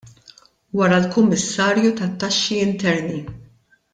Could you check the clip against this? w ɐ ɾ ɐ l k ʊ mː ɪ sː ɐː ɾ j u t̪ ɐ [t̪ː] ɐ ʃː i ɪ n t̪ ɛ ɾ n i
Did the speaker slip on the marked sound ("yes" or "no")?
no